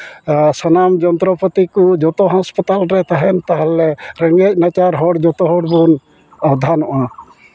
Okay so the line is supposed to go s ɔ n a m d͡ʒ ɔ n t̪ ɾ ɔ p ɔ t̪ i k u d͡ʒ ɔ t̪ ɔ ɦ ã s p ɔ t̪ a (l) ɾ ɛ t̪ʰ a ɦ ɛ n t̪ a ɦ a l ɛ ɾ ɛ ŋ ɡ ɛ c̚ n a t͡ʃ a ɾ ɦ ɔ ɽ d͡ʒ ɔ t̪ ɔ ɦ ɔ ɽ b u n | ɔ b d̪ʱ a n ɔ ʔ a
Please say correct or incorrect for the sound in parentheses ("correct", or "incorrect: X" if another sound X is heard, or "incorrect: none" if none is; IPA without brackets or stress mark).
correct